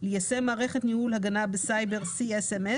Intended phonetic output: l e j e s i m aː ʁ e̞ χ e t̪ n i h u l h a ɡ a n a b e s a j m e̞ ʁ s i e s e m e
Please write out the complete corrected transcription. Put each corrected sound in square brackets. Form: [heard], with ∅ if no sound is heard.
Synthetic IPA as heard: l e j [a] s [e] m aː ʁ e̞ χ e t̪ n i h u l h a ɡ a n a b e s a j [b] e̞ ʁ s i e s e m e